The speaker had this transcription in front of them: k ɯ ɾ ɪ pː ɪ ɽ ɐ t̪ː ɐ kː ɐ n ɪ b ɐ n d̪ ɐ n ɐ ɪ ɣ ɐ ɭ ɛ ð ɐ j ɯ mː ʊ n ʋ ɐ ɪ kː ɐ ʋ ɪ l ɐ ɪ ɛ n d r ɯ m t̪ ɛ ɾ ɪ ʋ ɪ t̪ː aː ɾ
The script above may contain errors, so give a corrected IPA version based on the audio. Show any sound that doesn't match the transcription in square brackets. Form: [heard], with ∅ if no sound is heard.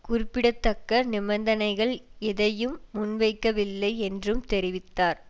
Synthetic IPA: k [ʊ] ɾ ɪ pː ɪ ɽ ɐ t̪ː ɐ kː ɐ n ɪ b ɐ n d̪ ɐ n ɐ ɪ ɣ ɐ ɭ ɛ ð ɐ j ɯ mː ʊ n ʋ ɐ ɪ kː ɐ ʋ ɪ [lː] ɐ ɪ ɛ n d r ɯ m t̪ ɛ ɾ ɪ ʋ ɪ t̪ː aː ɾ

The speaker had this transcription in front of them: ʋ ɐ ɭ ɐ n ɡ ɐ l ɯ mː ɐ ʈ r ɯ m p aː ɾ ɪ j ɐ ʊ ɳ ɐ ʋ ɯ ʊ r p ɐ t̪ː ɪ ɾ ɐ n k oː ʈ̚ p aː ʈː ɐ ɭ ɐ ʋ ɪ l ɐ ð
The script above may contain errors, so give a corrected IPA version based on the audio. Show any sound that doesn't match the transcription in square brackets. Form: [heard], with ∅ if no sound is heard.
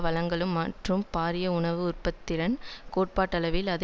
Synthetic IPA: ʋ ɐ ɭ ɐ [ŋ] ɡ ɐ [ɭ] ɯ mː ɐ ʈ r ɯ m p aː ɾ ɪ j ɐ ʊ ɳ ɐ ʋ ɯ ʊ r p ɐ t̪ː ɪ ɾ ɐ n k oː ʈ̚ p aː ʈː ɐ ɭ ɐ ʋ ɪ l ɐ ð

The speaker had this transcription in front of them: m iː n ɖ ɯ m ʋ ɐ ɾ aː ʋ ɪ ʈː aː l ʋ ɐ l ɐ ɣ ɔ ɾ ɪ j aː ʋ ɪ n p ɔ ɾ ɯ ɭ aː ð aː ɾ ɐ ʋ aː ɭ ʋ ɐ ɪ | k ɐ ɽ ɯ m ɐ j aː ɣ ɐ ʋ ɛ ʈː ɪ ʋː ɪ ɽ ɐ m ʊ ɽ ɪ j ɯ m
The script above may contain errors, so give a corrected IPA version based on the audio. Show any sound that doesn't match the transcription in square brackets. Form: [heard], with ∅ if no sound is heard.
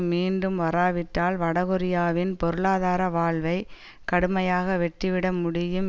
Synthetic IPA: m iː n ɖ ɯ m ʋ ɐ ɾ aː ʋ ɪ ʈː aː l ʋ ɐ [ɽ] ɐ ɣ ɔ ɾ ɪ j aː ʋ ɪ n p ɔ ɾ ɯ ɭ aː ð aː ɾ ɐ ʋ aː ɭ ʋ ɐ ɪ | k ɐ ɽ ɯ m ɐ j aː ɣ ɐ ʋ ɛ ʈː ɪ [ʋ] ɪ ɽ ɐ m ʊ ɽ ɪ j ɯ m

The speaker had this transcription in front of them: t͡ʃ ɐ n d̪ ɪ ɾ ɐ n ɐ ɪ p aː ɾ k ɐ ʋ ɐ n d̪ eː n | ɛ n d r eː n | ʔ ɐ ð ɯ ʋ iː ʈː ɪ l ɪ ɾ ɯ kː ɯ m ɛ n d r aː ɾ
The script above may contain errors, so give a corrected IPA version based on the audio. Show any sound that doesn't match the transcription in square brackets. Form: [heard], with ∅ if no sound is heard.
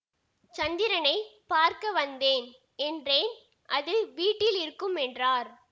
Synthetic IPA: t͡ʃ ɐ n d̪ ɪ ɾ ɐ n ɐ ɪ p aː ɾ k ɐ ʋ ɐ n d̪ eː n | ɛ n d r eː n | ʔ ɐ ð ɯ ʋ iː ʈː ɪ l ɪ ɾ ɯ kː ɯ m ɛ n d r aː ɾ

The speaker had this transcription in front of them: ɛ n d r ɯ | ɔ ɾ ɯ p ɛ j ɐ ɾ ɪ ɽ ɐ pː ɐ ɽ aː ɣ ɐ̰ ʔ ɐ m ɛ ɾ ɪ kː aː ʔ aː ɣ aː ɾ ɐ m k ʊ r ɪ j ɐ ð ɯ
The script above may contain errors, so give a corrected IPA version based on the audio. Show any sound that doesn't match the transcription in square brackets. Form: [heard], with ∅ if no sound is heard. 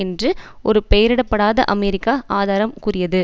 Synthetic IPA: ɛ n d r ɯ | ɔ ɾ ɯ p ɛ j ɐ ɾ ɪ ɽ ɐ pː ɐ ɽ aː [ð] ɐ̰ ʔ ɐ m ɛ ɾ ɪ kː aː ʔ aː [ð] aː ɾ ɐ m k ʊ r ɪ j ɐ ð ɯ

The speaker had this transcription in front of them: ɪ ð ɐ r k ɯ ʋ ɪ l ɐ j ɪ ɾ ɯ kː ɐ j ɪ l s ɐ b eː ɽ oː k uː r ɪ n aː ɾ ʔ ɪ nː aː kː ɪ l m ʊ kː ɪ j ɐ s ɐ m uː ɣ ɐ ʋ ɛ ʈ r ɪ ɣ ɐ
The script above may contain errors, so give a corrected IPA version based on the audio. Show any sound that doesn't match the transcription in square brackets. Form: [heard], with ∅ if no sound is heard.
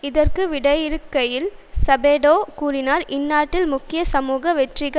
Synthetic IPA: ɪ ð ɐ r k ɯ ʋ ɪ [ɽ] ɐ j ɪ ɾ ɯ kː ɐ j ɪ l s ɐ b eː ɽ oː k uː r ɪ n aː ɾ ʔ ɪ nː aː [ʈː] ɪ l m ʊ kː ɪ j ɐ s ɐ m uː ɣ ɐ ʋ ɛ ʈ r ɪ ɣ ɐ

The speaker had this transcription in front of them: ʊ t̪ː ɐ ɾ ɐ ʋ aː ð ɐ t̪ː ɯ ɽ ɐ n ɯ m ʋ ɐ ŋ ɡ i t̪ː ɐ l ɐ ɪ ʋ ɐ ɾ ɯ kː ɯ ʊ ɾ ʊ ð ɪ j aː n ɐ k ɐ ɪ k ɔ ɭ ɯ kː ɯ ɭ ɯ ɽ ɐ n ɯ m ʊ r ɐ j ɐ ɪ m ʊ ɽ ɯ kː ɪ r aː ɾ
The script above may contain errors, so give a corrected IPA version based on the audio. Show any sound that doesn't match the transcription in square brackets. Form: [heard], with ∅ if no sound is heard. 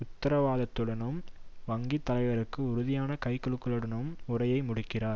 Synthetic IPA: ʊ t̪ː ɐ ɾ ɐ ʋ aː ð ɐ t̪ː ɯ ɽ ɐ n ɯ m ʋ ɐ ŋ ɡ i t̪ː ɐ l ɐ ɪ ʋ ɐ ɾ ɯ kː ɯ ʊ ɾ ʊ ð ɪ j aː n ɐ k ɐ ɪ k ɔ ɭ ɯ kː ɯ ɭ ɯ ɽ ɐ n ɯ m ʊ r ɐ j ɐ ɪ m ʊ ɽ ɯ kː ɪ r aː ɾ

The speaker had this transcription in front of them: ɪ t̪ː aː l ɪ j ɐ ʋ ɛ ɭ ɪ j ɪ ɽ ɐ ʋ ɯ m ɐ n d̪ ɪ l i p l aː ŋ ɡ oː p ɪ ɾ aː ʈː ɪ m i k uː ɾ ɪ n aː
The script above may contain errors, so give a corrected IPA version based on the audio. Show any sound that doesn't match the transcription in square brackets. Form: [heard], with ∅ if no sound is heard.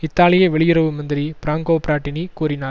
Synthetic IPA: ɪ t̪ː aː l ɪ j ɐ ʋ ɛ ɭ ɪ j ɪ [ɾ] ɐ ʋ ɯ m ɐ n d̪ ɪ [ɾ] i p [ɾ] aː ŋ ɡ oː p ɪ ɾ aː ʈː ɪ [n] i k uː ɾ ɪ n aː

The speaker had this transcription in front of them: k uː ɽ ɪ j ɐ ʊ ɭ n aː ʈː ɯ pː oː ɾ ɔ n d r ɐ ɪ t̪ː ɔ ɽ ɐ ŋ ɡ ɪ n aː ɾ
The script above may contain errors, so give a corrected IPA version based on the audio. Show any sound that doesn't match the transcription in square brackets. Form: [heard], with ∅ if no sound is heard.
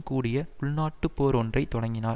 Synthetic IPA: k uː ɽ ɪ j ɐ ʊ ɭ n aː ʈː ɯ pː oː ɾ ɔ n d r ɐ ɪ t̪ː ɔ ɽ ɐ ŋ ɡ ɪ n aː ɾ

